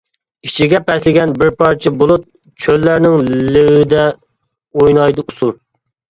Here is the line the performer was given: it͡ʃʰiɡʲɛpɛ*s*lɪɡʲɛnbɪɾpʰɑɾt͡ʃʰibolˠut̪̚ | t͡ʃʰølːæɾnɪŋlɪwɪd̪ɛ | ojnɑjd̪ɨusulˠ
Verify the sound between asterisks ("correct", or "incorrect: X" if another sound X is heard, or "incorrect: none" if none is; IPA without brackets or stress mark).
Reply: correct